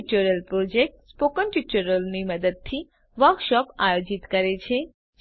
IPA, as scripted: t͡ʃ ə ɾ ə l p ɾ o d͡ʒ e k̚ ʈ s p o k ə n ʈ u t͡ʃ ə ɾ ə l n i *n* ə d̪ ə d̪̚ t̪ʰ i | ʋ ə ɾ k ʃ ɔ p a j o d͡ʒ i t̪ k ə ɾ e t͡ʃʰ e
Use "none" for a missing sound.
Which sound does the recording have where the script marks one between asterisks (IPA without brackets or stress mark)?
m